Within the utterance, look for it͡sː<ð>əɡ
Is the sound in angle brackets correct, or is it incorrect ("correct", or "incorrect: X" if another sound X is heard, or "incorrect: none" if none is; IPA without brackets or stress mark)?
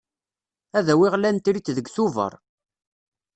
correct